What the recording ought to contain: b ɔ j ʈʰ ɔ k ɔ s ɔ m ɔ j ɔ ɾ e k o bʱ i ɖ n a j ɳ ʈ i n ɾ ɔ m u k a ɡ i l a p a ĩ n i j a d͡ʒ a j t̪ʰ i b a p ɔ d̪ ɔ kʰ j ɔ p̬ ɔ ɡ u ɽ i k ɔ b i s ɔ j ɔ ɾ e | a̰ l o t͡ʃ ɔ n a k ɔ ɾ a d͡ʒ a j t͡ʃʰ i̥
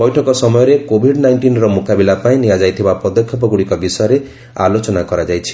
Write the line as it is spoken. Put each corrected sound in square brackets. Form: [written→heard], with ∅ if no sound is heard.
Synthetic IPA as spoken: b ɔ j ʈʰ ɔ k ɔ s ɔ m ɔ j ɔ ɾ e k o bʱ i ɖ n a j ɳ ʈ i n ɾ ɔ m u k a [ɡ→b] i l a p a ĩ n i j a d͡ʒ a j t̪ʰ i b a p ɔ d̪ ɔ kʰ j ɔ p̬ ɔ ɡ u ɽ i k ɔ b i s ɔ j ɔ ɾ e | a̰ l o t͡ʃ ɔ n a k ɔ ɾ a d͡ʒ a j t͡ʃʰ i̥